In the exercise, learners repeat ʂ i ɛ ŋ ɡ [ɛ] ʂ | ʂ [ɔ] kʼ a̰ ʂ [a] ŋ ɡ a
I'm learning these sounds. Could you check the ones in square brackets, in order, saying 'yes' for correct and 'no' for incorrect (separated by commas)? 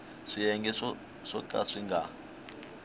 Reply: yes, yes, no